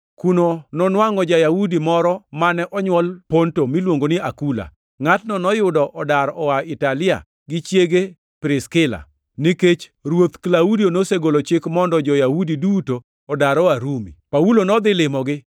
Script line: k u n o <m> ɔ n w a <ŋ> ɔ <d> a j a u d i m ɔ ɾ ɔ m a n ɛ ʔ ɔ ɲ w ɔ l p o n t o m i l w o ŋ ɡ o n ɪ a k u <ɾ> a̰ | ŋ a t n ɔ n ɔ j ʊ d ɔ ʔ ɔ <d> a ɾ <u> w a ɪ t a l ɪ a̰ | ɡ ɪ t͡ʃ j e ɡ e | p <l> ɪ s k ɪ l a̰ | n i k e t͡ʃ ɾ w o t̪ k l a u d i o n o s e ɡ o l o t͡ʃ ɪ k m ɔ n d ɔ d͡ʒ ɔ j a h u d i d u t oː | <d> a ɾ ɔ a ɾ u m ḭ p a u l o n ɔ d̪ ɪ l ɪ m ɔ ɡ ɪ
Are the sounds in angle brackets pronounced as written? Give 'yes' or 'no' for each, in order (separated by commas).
no, yes, no, no, yes, no, no, yes